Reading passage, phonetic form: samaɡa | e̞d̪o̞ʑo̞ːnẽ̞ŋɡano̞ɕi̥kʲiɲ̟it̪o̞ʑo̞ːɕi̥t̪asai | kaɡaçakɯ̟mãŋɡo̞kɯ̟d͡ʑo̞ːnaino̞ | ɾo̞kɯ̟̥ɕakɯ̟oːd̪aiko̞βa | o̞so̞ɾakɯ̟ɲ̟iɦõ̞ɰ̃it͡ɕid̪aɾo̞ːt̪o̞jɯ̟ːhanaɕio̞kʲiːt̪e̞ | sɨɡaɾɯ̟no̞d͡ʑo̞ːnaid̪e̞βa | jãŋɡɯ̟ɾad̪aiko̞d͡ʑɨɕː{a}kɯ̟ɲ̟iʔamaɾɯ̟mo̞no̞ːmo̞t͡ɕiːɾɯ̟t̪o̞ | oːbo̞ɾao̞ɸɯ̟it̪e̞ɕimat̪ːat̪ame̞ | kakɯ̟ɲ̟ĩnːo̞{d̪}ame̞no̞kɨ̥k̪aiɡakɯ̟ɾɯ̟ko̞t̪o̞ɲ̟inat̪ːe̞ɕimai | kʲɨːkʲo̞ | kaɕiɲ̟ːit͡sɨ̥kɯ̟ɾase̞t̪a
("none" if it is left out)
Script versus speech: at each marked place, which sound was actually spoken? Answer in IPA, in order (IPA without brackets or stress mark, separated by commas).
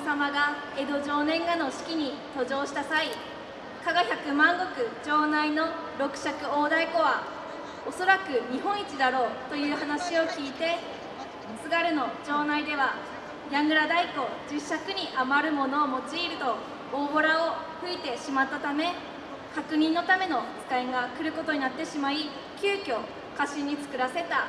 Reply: a, t̪